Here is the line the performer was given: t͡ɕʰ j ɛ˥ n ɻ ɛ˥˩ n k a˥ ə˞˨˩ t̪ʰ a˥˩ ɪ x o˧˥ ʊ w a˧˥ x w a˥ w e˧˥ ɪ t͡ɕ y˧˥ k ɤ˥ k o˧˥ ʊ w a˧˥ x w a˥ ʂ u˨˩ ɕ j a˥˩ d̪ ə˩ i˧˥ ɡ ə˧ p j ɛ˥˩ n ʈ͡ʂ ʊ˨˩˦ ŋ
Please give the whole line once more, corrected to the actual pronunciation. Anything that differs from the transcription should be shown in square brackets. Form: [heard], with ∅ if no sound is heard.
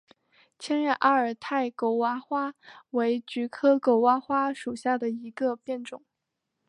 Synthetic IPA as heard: t͡ɕʰ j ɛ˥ n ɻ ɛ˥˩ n [ʔ] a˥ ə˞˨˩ t̪ʰ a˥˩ ɪ [k] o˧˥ ʊ w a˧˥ x w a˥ w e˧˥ ɪ t͡ɕ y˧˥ [kʰ] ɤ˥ k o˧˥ ʊ w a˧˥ x w a˥ ʂ u˨˩ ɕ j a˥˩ d̪ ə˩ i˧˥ ɡ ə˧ p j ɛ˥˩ n ʈ͡ʂ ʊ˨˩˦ ŋ